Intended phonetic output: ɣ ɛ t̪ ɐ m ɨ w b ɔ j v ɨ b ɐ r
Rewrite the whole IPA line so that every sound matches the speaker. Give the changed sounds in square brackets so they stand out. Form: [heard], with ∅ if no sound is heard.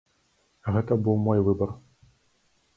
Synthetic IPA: ɣ ɛ t̪ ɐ [b] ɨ w [m] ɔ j v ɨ b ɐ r